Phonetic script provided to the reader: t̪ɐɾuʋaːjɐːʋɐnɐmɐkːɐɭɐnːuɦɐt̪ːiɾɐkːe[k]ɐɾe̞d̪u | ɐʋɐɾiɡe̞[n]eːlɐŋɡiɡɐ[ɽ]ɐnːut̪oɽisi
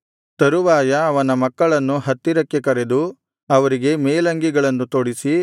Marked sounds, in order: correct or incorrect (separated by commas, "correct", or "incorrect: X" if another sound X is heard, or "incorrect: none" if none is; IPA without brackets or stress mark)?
correct, incorrect: m, incorrect: ɭ